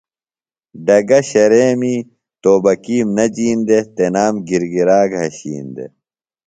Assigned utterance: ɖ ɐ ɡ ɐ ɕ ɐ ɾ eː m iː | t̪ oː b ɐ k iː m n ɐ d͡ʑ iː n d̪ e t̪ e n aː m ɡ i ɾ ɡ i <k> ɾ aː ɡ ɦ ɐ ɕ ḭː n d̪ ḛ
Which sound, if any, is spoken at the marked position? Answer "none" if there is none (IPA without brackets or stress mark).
none